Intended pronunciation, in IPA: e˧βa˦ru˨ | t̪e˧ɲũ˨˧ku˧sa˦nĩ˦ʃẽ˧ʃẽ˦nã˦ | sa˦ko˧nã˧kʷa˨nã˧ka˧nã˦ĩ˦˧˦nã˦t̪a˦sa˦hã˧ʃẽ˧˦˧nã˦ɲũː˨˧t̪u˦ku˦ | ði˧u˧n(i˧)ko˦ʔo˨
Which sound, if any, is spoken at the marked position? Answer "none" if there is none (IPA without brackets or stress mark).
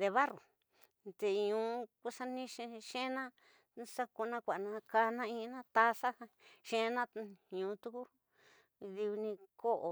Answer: ĩ˧